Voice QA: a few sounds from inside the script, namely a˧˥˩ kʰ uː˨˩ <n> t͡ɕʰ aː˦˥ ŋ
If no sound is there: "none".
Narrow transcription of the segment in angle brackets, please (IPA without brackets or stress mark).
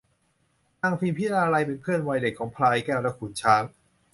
n